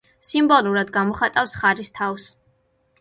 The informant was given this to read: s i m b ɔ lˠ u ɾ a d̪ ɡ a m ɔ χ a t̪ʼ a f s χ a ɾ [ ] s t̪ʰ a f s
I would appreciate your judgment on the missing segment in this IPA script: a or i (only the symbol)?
i